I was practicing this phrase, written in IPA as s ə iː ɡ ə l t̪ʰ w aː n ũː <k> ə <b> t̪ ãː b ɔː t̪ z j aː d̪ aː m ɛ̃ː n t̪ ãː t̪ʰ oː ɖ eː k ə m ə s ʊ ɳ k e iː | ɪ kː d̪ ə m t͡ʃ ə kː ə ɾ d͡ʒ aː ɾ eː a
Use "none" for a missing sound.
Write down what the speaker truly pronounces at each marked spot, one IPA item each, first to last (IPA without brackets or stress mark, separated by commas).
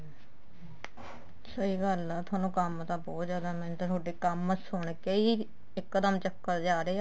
k, m